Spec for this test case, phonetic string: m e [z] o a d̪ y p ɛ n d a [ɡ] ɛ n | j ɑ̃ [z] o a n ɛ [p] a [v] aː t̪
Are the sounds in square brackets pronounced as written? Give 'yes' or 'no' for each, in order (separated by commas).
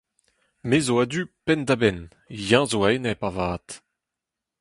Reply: yes, no, yes, yes, yes